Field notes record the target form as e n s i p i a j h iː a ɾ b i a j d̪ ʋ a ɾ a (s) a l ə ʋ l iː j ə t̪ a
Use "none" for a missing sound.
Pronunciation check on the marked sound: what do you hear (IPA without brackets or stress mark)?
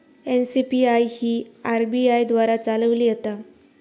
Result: t͡s